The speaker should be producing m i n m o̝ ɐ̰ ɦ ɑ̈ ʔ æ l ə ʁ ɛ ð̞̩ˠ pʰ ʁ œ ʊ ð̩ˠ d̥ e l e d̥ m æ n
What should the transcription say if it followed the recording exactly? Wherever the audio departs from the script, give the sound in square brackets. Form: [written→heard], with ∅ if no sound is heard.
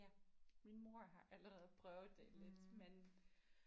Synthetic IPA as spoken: m i n m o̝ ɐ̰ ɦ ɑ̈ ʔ æ l ə ʁ ɛ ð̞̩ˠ pʰ ʁ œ ʊ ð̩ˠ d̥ e l e d̥ m [æ→e] n